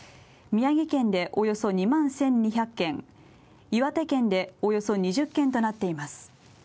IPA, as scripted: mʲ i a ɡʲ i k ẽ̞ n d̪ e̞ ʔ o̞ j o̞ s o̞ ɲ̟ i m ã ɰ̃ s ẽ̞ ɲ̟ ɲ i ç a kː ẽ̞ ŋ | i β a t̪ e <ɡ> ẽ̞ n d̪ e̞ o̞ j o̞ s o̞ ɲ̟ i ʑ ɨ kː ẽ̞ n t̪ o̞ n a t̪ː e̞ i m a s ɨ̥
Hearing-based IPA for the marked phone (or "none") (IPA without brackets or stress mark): k